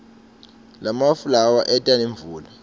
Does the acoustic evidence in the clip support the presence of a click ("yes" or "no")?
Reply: no